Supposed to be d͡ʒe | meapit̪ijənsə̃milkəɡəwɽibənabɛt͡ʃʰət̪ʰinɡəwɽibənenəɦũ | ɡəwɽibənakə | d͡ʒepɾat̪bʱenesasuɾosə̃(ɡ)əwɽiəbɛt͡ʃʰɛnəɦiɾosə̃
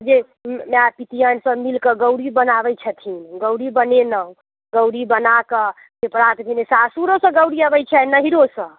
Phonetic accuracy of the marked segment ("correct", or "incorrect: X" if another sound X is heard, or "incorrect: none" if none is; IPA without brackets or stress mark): correct